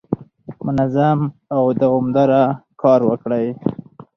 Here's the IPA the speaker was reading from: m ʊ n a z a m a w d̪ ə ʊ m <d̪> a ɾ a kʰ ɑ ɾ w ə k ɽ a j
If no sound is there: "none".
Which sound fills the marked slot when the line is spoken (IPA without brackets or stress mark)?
d̪